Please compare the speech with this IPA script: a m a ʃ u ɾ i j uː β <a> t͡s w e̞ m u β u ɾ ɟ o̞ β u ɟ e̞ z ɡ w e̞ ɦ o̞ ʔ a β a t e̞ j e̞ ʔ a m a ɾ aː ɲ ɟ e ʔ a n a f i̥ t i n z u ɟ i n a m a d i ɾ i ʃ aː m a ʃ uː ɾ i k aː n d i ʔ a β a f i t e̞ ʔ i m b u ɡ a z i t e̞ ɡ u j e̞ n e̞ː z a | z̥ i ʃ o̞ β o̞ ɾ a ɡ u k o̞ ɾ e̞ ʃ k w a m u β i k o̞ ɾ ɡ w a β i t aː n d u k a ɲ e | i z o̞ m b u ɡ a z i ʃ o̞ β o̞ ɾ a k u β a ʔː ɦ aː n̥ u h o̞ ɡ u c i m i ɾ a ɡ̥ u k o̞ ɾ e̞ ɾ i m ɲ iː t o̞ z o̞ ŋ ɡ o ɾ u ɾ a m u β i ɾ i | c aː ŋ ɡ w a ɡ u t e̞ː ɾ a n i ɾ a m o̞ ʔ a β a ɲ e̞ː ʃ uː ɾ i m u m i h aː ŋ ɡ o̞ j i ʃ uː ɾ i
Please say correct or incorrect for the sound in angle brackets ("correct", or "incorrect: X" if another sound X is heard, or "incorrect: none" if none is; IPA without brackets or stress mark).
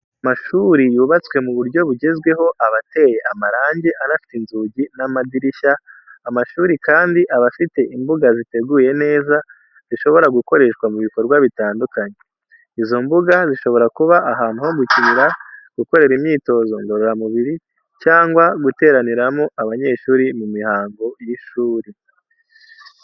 correct